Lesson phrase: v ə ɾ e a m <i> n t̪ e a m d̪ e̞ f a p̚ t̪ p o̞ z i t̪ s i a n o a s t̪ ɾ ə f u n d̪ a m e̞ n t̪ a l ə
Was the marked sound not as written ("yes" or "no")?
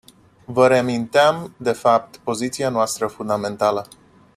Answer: no